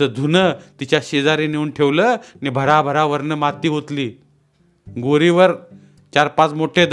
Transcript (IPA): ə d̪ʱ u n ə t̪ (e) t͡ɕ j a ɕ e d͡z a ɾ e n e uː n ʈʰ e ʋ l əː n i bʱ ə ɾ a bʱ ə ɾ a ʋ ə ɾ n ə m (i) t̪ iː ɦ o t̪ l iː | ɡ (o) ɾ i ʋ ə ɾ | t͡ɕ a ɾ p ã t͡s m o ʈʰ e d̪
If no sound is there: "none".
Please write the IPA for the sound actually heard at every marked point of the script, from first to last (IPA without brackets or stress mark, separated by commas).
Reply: i, a, o